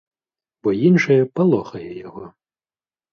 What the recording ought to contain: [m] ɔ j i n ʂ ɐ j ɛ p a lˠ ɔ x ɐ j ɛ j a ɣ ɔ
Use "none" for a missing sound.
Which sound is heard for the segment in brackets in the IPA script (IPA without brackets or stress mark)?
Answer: b